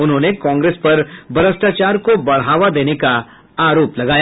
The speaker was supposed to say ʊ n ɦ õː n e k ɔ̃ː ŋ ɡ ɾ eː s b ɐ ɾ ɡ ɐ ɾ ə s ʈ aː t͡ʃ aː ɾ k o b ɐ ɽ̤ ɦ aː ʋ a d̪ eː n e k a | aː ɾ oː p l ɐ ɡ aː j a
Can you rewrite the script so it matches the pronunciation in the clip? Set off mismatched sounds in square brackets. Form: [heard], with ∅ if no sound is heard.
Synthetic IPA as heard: ʊ n ɦ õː n e k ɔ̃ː ŋ ɡ ɾ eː s [p] ɐ ɾ [b] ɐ ɾ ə s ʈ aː t͡ʃ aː ɾ k o b ɐ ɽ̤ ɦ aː ʋ a d̪ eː n e k a | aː ɾ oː p l ɐ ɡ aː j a